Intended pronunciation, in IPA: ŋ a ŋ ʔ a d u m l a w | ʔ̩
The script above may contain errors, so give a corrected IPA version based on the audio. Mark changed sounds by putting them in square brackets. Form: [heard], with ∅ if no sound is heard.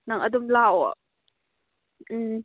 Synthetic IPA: [n] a ŋ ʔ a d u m l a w | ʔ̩